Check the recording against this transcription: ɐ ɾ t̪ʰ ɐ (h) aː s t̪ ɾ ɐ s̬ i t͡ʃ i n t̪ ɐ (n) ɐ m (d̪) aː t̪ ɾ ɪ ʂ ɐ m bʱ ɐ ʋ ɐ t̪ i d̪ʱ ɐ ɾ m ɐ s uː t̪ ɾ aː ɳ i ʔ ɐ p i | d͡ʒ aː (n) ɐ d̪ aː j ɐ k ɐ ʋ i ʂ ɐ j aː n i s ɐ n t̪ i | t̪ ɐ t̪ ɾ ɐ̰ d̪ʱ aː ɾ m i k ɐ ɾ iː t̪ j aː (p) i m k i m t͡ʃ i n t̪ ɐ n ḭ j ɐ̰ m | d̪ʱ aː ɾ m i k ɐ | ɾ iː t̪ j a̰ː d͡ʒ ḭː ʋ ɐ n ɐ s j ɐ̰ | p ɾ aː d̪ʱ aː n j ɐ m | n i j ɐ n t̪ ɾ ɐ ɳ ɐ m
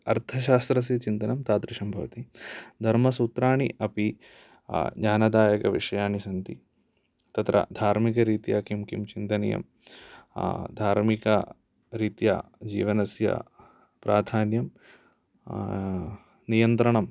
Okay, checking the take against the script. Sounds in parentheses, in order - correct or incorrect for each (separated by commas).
incorrect, correct, incorrect, correct, incorrect